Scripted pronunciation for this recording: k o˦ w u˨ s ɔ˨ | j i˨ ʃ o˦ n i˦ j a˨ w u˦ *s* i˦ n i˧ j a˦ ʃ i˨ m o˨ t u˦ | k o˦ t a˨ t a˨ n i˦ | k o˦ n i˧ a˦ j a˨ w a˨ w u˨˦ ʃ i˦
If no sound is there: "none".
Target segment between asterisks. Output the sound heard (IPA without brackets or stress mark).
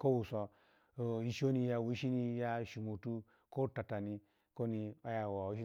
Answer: ʃ